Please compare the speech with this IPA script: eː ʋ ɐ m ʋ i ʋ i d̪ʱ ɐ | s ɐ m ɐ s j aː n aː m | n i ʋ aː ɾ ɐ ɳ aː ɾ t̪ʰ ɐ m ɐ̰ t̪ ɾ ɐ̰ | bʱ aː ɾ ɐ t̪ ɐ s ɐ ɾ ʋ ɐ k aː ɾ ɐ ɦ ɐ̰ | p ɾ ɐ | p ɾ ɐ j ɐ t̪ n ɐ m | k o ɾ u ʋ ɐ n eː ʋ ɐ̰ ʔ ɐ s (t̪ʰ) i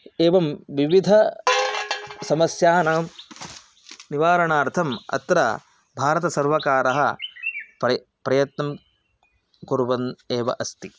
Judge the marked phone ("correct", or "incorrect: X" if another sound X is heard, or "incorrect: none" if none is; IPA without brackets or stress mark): incorrect: t̪